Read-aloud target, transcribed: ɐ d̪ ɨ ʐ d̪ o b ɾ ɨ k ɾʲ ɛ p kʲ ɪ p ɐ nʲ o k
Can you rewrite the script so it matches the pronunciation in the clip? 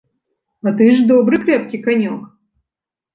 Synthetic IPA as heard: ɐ t̪ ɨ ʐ d̪ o b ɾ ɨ k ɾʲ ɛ p kʲ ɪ k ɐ nʲ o k